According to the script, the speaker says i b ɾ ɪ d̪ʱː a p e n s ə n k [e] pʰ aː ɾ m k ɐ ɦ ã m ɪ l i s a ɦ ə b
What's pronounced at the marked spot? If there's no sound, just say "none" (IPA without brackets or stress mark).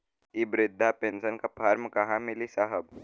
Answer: a